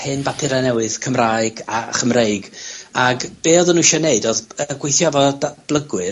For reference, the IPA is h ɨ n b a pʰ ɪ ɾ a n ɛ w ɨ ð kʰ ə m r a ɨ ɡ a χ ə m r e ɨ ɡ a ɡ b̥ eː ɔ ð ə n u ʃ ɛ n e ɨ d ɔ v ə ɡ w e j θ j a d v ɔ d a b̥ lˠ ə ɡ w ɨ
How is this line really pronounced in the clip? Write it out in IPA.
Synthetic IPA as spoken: h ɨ n b a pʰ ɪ ɾ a n ɛ w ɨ ð kʰ ə m r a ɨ ɡ a χ ə m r e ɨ ɡ a ɡ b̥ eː ɔ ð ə n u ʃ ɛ n e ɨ d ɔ ð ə ɡ w e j θ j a v ɔ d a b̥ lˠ ə ɡ w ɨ